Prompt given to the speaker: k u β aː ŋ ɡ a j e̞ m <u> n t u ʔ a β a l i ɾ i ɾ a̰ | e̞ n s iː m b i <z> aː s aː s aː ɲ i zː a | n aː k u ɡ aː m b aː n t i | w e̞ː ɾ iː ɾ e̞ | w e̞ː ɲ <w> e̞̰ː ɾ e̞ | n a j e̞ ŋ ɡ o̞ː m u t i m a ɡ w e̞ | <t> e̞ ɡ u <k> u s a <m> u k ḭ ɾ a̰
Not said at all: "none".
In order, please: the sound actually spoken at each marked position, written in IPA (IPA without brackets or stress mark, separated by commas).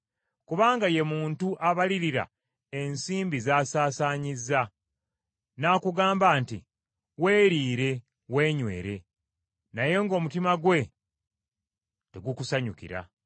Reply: uː, z, w, t, k, ɲ